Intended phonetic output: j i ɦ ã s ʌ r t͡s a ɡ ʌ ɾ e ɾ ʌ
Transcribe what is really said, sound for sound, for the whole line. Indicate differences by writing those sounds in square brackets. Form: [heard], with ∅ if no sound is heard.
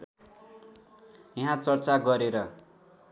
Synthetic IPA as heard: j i ɦ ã [t͡s] ʌ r t͡s a ɡ ʌ ɾ e ɾ ʌ